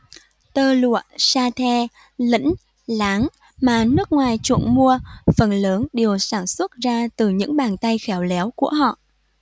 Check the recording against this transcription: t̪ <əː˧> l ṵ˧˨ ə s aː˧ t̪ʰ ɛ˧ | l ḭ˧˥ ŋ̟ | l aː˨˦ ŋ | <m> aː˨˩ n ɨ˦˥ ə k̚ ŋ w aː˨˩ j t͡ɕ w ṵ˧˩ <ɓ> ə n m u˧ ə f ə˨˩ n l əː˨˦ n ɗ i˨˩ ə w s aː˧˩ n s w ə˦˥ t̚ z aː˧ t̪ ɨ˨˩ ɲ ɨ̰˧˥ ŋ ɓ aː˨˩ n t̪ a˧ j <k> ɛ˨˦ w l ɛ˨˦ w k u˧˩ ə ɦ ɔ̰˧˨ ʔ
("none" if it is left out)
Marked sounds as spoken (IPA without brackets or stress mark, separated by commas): əː˧, m, none, x